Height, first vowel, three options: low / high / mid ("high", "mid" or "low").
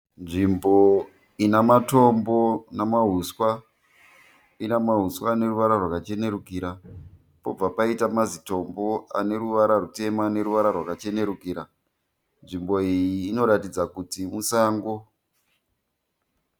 high